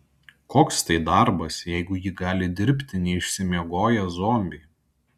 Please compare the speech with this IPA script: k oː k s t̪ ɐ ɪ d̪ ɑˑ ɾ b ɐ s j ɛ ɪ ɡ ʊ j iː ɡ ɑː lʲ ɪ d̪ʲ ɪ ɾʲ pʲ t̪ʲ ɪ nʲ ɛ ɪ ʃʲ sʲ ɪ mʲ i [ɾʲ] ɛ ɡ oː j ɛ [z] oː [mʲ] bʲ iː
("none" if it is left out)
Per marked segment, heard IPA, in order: none, z, mʲ

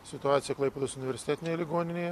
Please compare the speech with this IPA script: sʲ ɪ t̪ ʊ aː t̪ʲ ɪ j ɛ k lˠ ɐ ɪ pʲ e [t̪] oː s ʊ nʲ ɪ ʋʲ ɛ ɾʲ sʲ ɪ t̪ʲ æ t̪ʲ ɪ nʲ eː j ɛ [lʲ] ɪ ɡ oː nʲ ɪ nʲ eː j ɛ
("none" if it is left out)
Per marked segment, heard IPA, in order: d̪, lʲ

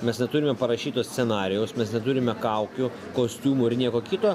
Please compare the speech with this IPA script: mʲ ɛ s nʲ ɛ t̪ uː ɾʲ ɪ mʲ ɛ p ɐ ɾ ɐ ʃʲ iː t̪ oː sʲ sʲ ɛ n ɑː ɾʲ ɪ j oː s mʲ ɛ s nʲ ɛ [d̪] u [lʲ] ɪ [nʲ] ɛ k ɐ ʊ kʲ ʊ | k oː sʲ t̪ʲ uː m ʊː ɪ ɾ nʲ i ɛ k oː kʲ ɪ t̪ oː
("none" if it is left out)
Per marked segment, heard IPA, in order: t̪, ɾʲ, mʲ

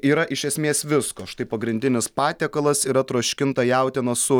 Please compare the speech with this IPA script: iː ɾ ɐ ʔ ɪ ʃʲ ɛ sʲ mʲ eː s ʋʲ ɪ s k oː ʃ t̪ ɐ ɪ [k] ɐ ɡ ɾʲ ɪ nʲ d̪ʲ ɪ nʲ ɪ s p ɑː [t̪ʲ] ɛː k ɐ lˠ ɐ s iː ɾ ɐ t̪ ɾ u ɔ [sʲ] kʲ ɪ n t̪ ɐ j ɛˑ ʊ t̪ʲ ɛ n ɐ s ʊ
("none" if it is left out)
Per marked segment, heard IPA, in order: p, t̪ʲ, ʃʲ

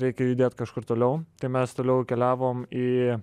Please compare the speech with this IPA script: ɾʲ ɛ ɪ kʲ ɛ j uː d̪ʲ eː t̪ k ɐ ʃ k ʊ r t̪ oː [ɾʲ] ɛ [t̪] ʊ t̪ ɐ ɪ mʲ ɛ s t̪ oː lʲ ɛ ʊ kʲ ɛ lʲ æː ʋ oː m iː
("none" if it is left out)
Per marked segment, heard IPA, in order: lʲ, none

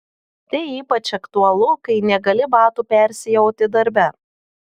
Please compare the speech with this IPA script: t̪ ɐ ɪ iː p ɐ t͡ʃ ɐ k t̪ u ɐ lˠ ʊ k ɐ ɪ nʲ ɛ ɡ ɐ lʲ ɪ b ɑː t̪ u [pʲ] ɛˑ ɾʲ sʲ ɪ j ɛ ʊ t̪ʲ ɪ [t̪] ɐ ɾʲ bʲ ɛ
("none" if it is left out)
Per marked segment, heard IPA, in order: pʲ, d̪

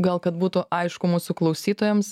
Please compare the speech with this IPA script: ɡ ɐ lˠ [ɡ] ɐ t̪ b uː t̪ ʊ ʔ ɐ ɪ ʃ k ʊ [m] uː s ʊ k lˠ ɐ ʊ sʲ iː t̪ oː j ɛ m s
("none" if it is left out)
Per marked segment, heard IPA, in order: k, m

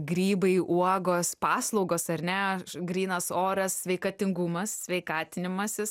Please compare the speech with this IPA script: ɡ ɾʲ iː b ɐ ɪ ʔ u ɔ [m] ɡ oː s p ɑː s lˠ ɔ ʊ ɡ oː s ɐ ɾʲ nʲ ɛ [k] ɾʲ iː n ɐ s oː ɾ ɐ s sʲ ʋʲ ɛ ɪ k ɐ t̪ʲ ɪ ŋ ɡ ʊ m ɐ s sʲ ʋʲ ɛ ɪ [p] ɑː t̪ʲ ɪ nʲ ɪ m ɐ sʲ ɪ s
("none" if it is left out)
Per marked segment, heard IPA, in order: none, ɡ, k

